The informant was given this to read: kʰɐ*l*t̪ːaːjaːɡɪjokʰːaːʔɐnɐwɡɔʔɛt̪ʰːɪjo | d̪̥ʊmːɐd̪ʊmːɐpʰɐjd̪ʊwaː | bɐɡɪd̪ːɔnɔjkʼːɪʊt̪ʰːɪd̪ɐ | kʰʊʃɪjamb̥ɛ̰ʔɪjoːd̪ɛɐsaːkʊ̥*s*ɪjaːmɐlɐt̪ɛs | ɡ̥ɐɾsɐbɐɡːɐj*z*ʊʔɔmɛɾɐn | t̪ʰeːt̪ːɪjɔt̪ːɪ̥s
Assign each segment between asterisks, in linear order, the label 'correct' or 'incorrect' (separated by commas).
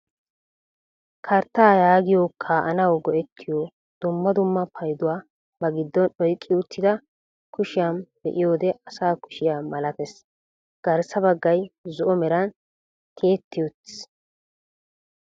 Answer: incorrect, incorrect, correct